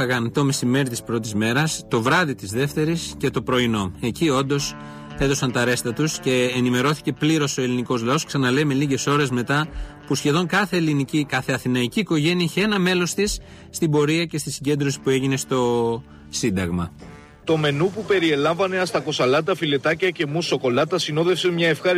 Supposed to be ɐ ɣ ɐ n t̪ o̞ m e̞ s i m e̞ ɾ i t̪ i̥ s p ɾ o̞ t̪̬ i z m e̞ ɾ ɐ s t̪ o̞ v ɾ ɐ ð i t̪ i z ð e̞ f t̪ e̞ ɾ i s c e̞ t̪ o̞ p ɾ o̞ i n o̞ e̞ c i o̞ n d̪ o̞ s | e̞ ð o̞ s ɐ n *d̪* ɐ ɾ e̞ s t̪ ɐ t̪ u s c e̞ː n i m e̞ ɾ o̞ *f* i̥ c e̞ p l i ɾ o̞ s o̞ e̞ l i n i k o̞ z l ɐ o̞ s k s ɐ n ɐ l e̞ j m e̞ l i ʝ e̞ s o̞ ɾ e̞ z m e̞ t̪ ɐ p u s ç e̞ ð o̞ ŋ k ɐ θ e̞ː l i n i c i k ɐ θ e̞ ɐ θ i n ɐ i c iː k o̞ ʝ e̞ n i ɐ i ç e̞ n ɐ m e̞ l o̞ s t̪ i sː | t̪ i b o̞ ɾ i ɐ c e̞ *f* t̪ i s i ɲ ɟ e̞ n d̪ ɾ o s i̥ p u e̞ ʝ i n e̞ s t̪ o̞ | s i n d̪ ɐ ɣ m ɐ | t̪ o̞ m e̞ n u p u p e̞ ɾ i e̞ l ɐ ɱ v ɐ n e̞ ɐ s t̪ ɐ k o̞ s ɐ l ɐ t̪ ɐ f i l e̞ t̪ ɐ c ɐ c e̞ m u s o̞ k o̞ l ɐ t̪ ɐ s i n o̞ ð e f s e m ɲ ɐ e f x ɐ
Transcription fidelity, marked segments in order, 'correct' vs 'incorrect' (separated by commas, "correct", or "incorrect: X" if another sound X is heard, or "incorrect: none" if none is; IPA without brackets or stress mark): incorrect: t̪, incorrect: θ, incorrect: s